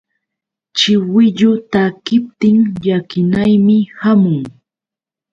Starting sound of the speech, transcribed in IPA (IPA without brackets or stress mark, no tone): t͡ʃ